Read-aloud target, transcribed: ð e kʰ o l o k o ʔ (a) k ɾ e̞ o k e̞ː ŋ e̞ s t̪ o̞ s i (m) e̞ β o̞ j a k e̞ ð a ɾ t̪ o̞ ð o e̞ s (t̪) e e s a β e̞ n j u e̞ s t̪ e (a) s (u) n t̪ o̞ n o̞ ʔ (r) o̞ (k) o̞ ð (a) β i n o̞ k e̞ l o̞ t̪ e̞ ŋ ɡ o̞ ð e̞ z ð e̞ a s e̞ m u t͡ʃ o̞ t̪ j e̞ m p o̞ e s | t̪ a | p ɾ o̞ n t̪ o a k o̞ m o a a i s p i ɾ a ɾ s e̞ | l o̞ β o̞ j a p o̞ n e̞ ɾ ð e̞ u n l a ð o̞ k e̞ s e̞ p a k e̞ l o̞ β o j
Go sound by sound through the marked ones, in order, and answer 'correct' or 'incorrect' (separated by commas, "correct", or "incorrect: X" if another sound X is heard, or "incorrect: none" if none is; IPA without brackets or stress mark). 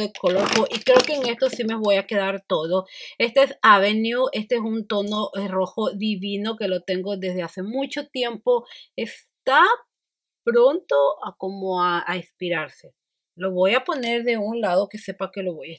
incorrect: i, correct, correct, incorrect: e, correct, correct, incorrect: x, incorrect: i